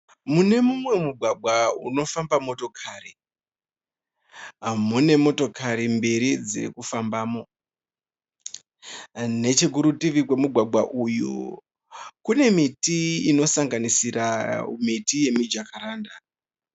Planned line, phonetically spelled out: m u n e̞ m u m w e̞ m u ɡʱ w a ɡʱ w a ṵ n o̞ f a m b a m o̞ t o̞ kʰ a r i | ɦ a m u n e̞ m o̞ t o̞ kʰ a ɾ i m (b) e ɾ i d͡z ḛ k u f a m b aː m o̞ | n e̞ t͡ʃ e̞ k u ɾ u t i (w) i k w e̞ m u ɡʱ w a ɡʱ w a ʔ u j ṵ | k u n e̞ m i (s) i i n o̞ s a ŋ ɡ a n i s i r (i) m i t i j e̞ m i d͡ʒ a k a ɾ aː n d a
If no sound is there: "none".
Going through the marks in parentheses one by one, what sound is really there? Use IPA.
b, ʋ, t, a

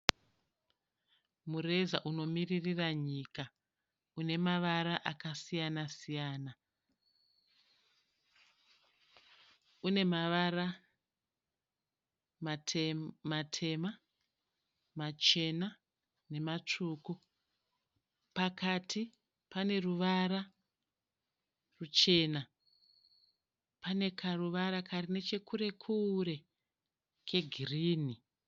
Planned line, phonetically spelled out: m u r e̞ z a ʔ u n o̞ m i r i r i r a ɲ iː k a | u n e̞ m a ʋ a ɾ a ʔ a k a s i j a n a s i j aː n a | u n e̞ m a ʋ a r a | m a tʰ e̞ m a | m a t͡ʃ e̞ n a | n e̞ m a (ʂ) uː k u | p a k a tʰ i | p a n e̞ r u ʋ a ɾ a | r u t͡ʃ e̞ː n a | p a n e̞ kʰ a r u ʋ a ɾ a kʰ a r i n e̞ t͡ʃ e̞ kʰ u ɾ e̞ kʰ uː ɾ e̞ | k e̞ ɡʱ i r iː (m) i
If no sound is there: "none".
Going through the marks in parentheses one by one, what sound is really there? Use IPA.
t͡ʂ, n

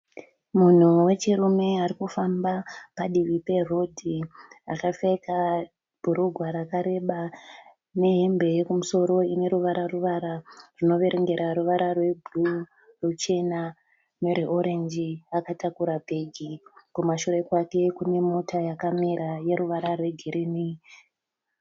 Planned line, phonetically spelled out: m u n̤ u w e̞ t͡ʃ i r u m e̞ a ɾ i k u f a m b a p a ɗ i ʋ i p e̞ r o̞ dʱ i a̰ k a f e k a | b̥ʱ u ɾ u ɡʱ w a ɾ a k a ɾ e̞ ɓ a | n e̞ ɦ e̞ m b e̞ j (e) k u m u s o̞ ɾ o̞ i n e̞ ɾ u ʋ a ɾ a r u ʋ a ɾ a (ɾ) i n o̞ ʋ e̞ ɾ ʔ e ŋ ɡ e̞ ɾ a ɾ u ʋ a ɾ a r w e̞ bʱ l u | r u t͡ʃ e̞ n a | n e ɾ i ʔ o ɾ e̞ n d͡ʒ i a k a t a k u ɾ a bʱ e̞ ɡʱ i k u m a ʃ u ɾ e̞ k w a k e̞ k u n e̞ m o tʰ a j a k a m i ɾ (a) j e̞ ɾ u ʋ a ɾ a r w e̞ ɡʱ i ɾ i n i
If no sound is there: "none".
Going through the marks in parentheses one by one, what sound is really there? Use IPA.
e, r, a

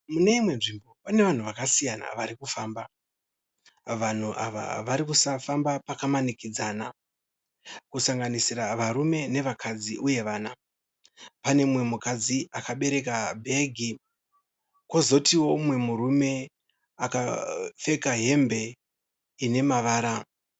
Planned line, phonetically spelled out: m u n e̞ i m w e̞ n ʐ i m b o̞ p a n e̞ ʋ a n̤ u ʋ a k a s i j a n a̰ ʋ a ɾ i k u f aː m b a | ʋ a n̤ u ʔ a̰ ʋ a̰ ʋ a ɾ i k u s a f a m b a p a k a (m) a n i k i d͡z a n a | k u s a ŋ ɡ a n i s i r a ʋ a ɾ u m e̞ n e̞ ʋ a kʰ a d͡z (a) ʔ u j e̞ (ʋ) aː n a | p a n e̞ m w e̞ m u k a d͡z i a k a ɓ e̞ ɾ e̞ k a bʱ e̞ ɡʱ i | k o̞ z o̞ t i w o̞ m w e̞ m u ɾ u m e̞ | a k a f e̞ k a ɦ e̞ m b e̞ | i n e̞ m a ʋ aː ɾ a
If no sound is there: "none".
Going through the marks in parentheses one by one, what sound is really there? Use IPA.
m, i, ʋ

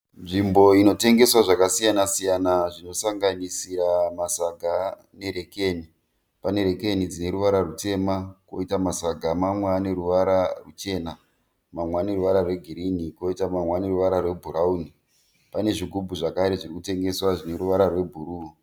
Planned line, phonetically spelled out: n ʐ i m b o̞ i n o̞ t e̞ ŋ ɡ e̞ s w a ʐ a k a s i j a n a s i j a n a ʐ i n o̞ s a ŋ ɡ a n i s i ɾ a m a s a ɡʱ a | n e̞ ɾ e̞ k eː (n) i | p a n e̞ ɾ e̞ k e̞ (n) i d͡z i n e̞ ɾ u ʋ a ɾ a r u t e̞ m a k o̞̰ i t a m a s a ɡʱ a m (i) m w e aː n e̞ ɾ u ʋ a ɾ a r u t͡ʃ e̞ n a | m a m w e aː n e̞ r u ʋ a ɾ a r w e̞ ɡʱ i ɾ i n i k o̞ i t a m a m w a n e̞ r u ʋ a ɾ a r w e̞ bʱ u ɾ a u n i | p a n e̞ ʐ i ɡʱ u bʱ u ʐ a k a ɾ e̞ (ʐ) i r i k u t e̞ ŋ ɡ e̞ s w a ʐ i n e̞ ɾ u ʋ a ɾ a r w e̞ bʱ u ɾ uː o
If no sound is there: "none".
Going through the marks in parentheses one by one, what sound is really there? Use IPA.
n, n, a, ʐ

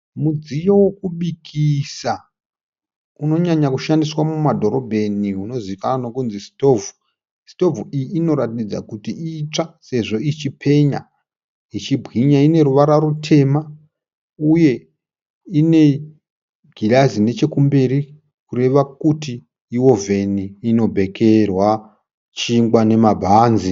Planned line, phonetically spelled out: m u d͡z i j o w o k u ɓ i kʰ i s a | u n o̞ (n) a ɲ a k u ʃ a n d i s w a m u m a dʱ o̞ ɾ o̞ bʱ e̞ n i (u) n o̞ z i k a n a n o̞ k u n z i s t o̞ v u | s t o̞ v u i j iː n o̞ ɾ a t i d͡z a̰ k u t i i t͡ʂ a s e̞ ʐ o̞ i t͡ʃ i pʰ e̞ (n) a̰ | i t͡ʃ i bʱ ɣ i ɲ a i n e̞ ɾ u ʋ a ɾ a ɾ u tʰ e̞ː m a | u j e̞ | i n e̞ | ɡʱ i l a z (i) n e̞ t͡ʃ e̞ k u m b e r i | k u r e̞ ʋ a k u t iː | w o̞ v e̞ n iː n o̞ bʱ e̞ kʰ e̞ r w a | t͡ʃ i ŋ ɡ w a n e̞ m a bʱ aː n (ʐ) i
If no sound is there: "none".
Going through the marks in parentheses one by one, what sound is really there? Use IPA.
ɲ, u, ɲ, i, z

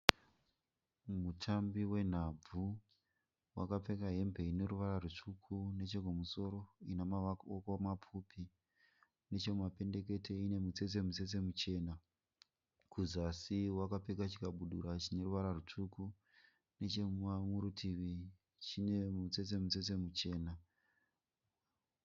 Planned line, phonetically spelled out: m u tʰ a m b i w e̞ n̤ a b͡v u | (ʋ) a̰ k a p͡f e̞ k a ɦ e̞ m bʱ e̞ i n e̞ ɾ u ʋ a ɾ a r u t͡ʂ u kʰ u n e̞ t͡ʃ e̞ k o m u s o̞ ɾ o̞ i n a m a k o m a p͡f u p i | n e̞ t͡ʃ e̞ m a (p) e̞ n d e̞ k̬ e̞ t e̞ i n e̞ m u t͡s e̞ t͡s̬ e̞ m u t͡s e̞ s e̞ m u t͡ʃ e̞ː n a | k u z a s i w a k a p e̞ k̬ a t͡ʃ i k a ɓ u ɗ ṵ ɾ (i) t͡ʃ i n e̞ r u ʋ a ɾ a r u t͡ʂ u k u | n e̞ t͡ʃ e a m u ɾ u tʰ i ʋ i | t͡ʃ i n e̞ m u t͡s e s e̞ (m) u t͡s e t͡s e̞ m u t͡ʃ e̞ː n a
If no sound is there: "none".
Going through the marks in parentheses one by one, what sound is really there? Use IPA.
w, p, a, m

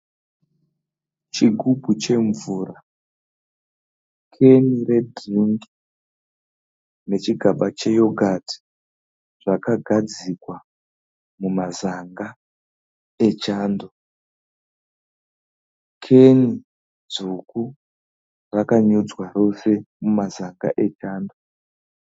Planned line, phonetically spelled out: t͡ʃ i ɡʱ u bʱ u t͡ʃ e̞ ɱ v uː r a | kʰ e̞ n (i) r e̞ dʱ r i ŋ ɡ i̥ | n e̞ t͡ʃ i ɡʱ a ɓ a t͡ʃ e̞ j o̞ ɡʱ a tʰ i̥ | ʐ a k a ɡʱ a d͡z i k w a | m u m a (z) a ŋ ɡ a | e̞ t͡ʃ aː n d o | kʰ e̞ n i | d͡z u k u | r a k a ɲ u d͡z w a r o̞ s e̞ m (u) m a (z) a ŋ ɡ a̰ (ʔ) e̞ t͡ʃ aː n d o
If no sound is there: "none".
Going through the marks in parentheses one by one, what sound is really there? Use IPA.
i, z, u, z, ʔ

